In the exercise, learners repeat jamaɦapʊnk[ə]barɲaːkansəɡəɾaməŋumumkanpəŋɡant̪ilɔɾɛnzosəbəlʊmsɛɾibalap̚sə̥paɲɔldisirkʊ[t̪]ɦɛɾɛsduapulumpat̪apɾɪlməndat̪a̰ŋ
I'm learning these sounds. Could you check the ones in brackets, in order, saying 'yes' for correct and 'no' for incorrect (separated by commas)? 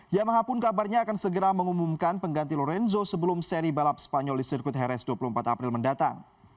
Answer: no, yes